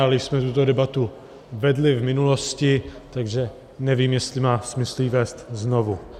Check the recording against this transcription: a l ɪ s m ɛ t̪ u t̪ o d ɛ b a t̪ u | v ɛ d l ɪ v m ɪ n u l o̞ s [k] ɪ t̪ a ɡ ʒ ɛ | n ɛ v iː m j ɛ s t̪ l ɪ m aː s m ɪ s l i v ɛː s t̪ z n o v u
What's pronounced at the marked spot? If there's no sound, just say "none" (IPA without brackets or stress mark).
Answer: c